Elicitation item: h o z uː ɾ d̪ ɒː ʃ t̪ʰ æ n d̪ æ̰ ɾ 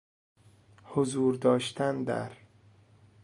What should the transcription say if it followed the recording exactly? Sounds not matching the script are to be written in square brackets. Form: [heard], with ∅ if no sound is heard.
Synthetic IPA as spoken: h o z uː ɾ d̪ ɒː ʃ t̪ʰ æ n d̪ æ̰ ɾ